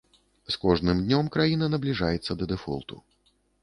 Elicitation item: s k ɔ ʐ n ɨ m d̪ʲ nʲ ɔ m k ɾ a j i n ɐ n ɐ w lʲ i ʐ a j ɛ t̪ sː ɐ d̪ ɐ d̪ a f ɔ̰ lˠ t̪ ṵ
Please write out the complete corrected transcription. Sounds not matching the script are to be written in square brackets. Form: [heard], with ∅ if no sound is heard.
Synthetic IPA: s k ɔ ʐ n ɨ m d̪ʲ nʲ ɔ m k ɾ a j i n ɐ n ɐ [b] lʲ i ʐ a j ɛ t̪ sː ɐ d̪ ɐ d̪ [ɛ] f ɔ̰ lˠ t̪ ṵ